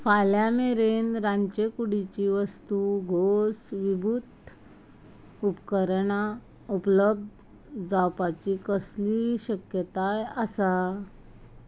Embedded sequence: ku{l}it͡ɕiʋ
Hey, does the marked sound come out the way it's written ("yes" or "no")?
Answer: no